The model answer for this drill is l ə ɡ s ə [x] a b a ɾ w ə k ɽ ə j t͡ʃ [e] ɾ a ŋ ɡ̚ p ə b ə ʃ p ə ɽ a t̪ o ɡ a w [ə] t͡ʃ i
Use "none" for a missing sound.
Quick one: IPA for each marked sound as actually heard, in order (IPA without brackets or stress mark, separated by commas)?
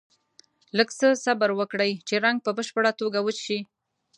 s, e, ə